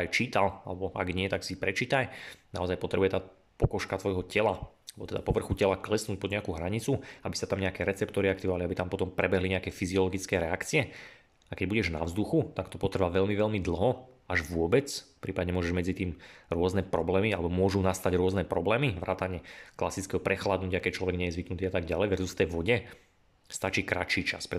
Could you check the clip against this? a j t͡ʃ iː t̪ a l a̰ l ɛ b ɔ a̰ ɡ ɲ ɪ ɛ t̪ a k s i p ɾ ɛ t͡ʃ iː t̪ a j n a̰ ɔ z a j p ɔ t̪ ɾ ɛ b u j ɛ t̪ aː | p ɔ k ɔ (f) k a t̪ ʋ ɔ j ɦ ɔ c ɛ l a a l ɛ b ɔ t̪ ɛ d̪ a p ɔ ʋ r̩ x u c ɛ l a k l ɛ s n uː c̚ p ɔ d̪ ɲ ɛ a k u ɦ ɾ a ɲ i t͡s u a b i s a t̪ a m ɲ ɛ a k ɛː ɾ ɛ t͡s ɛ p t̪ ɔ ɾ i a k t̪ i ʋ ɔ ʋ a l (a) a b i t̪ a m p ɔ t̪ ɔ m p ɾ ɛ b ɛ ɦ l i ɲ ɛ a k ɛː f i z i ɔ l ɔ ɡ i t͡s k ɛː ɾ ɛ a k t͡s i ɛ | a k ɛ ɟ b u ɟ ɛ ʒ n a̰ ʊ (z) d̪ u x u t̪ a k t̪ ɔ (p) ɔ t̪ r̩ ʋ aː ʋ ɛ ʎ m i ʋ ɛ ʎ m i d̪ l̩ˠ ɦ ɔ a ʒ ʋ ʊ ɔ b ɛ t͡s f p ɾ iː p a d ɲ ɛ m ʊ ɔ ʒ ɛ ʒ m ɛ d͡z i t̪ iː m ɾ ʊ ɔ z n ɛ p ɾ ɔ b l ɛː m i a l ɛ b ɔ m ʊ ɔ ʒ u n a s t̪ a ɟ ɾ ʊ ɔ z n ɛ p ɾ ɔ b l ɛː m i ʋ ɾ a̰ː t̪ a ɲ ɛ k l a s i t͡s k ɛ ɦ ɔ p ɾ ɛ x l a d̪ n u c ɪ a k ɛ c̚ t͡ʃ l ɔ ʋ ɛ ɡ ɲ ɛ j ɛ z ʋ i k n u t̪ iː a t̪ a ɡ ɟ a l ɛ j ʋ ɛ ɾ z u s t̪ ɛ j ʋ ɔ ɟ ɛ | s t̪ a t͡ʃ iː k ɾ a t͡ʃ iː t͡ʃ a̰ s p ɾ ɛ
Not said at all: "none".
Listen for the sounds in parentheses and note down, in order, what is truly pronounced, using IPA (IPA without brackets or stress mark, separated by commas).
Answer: ʃ, i, z, p